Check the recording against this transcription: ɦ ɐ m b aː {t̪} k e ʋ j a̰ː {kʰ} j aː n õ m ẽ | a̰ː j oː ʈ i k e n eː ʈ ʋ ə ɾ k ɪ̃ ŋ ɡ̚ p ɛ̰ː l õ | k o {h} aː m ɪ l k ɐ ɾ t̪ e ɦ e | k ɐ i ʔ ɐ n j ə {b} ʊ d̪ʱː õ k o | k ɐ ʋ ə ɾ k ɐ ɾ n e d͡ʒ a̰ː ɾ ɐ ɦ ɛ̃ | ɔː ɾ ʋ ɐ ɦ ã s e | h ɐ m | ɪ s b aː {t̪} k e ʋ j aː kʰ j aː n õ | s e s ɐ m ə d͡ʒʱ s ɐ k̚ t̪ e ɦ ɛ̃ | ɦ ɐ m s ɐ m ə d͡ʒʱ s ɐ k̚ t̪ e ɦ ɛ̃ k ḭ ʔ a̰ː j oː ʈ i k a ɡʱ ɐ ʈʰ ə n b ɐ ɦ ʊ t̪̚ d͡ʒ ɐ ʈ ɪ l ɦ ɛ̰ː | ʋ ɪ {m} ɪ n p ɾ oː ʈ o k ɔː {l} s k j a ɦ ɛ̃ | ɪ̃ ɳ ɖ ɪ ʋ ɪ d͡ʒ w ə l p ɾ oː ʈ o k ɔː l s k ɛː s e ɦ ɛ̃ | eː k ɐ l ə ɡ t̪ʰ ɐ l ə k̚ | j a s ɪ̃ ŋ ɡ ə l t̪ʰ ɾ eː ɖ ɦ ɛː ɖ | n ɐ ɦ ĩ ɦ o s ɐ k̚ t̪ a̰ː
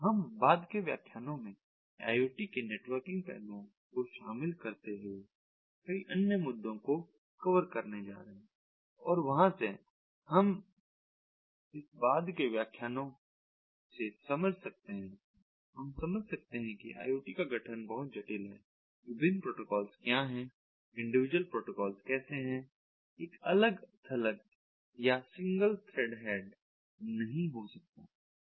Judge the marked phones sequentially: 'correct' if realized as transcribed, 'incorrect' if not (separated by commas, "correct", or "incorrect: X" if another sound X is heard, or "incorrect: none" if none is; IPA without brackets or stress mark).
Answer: incorrect: d̪, correct, incorrect: ʃ, incorrect: m, incorrect: d̪, incorrect: b, correct